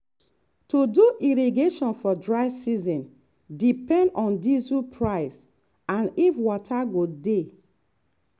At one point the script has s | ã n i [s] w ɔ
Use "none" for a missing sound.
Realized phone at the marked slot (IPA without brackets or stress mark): f